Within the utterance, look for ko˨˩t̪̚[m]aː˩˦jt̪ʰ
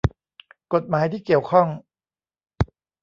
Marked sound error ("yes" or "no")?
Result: no